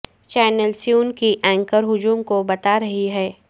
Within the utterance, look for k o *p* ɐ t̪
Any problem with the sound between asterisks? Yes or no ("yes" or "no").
yes